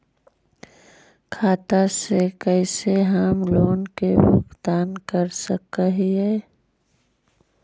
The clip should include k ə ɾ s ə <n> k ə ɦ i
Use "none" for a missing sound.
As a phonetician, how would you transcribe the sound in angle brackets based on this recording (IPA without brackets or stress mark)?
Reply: none